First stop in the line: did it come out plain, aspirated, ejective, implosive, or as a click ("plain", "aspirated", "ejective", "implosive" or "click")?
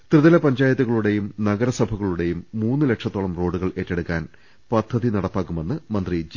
plain